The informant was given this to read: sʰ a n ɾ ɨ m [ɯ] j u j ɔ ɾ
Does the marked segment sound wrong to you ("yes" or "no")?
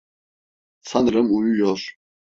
yes